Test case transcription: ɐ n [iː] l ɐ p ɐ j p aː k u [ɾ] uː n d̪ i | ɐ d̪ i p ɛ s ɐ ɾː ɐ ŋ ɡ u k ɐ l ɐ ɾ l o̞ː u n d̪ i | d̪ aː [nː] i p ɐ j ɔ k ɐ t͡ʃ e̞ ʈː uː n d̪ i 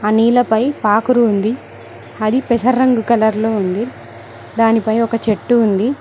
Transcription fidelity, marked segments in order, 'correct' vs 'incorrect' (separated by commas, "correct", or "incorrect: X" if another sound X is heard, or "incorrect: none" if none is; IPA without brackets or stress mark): correct, correct, incorrect: n